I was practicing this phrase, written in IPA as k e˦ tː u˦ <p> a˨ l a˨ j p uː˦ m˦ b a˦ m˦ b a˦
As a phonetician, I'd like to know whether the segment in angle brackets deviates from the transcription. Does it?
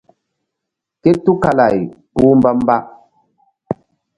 yes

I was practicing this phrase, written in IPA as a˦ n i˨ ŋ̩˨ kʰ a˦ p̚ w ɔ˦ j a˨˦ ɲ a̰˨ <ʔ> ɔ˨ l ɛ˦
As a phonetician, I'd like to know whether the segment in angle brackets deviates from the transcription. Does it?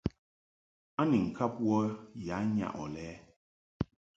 no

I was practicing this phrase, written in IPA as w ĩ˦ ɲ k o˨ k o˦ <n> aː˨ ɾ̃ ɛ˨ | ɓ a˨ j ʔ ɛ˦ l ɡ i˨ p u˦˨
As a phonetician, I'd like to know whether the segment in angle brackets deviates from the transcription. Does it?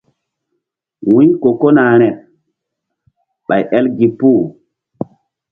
no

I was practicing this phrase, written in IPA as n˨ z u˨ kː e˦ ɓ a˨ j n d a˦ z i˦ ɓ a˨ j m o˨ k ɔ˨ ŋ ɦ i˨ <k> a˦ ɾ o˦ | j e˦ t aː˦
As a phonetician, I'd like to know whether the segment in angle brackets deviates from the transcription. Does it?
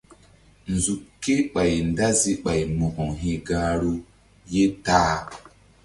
yes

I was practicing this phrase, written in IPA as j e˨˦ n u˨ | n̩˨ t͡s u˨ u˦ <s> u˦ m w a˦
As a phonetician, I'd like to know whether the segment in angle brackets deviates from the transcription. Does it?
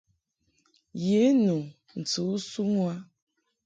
no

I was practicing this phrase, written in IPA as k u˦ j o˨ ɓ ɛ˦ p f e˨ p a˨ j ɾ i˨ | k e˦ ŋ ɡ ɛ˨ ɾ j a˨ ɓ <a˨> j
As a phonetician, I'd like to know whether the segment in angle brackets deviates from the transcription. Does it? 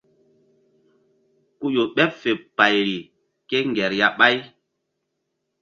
yes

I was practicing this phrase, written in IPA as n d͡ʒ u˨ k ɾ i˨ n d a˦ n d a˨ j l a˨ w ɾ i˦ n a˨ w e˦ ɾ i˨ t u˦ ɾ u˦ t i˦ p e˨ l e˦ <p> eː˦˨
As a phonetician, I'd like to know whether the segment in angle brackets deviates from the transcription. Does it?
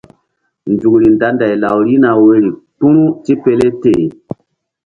yes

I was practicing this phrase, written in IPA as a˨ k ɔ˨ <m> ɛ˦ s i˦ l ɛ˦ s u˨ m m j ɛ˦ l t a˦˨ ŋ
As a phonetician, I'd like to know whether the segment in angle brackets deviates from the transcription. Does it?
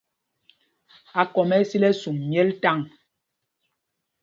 no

